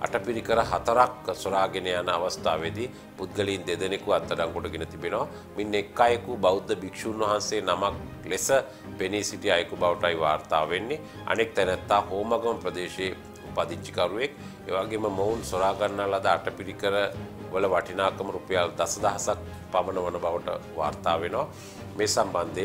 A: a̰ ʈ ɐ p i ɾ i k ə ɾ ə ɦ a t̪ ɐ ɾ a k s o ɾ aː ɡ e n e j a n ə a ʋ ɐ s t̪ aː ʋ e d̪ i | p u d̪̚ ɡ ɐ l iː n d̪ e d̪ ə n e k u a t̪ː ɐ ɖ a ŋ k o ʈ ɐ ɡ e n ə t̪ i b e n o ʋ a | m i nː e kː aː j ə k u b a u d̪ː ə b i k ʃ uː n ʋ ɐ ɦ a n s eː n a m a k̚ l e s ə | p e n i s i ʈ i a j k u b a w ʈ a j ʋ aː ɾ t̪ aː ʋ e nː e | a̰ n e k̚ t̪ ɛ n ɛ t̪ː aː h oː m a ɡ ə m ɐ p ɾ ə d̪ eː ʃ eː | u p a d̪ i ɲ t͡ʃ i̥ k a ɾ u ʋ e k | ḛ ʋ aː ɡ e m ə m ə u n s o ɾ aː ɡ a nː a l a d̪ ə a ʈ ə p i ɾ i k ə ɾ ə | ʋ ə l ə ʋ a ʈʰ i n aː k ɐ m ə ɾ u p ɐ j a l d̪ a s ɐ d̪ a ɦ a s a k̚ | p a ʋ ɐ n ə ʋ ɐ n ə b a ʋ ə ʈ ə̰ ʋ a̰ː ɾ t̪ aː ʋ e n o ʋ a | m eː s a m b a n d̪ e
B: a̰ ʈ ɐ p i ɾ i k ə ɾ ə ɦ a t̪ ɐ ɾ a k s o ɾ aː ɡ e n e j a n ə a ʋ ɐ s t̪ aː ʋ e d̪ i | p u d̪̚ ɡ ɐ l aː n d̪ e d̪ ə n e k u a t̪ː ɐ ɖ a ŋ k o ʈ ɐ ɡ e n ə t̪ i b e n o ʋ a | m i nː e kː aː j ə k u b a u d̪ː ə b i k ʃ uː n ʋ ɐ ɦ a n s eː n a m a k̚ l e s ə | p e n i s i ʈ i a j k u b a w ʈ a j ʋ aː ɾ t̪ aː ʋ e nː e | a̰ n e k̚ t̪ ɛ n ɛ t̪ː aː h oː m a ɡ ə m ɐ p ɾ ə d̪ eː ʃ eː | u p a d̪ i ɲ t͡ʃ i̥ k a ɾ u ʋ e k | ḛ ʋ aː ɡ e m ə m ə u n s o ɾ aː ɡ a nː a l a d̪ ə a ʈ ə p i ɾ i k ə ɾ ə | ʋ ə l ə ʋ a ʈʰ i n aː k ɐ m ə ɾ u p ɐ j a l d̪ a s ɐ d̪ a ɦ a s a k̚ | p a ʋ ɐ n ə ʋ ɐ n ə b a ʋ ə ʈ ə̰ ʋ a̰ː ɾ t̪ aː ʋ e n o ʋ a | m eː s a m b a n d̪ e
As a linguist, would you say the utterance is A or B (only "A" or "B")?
A